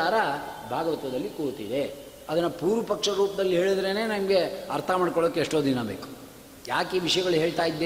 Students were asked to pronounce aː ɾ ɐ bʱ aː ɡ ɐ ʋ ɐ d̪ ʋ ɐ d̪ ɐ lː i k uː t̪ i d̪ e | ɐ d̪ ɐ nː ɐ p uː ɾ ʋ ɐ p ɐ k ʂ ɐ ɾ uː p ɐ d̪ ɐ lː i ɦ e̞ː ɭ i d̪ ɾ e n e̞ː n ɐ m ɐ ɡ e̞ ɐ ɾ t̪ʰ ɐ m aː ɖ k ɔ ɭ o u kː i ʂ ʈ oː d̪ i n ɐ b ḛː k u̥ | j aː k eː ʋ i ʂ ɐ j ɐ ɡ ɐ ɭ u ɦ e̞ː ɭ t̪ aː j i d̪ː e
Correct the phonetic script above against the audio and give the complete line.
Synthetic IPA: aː ɾ ɐ bʱ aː ɡ ɐ ʋ ɐ t̪ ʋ ɐ d̪ ɐ lː i k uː t̪ i d̪ e | ɐ d̪ ɐ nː ɐ p uː ɾ ʋ ɐ p ɐ k ʂ ɐ ɾ uː p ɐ d̪ ɐ lː i ɦ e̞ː ɭ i d̪ ɾ e n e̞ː n ɐ m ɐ ɡ e̞ ɐ ɾ t̪ʰ ɐ m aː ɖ k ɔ ɭ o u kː e ʂ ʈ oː d̪ i n ɐ b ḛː k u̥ | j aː k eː ʋ i ʂ ɐ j ɐ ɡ ɐ ɭ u ɦ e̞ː ɭ t̪ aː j i d̪ː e